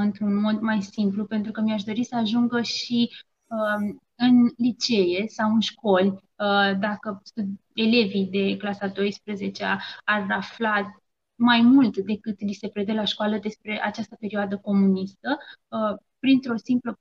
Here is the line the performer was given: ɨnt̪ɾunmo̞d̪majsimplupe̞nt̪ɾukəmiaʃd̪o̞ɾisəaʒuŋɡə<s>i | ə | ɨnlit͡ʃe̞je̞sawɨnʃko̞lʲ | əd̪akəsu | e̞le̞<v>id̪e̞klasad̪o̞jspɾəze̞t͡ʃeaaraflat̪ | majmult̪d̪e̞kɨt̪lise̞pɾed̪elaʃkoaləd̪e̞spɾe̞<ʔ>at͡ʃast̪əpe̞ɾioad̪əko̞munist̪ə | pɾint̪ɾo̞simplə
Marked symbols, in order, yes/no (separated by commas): no, yes, yes